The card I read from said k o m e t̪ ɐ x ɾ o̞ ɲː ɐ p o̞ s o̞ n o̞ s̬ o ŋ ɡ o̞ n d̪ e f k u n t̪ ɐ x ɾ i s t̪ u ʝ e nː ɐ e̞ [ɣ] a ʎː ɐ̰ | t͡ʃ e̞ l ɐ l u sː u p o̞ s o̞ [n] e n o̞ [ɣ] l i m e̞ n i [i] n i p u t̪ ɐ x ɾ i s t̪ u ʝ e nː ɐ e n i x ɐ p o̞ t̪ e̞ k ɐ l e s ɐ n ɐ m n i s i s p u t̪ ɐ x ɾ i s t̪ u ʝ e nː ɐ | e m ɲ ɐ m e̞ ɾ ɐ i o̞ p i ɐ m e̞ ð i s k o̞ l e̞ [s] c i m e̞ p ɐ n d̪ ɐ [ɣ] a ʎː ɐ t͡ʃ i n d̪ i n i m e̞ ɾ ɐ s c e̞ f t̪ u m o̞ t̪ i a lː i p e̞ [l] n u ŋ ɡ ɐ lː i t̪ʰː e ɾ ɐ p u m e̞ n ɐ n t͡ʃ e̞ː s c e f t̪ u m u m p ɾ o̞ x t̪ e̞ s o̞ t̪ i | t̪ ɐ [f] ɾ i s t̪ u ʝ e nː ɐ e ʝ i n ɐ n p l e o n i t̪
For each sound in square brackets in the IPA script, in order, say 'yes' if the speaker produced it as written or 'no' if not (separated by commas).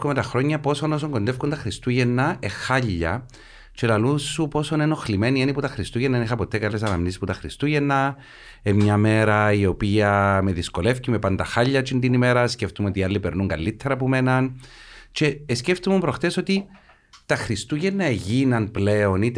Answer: no, yes, no, no, no, no, no, no